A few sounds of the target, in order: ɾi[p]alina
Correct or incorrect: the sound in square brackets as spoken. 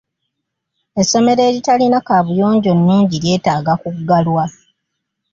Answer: incorrect: t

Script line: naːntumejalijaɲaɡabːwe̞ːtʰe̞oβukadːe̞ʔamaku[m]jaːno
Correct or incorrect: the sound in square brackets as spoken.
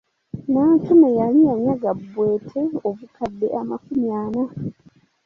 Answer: correct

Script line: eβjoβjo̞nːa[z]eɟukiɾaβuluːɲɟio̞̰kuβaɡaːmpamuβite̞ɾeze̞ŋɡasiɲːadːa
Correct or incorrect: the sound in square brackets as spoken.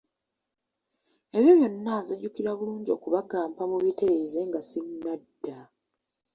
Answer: correct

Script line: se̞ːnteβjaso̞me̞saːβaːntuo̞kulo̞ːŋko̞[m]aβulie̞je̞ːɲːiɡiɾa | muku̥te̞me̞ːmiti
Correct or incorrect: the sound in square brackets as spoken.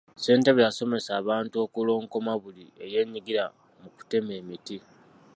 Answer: correct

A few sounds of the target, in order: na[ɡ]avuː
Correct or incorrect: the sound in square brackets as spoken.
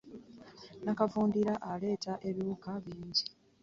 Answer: incorrect: k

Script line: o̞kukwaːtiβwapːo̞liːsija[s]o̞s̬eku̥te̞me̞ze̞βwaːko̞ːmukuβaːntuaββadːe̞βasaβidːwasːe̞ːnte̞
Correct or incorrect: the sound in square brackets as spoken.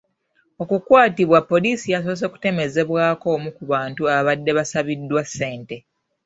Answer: correct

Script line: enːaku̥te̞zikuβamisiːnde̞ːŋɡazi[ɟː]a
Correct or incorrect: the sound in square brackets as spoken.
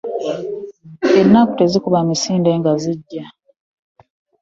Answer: correct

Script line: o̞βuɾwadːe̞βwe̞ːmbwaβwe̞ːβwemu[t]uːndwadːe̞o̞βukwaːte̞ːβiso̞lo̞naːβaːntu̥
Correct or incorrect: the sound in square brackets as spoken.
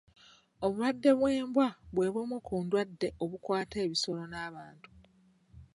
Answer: incorrect: k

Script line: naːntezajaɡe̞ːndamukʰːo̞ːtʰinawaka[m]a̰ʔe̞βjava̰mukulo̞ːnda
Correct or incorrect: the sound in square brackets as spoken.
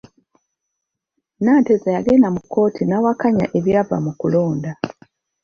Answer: incorrect: ɲ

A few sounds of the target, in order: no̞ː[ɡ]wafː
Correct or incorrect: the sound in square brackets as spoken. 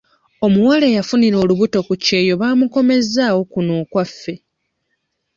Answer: incorrect: k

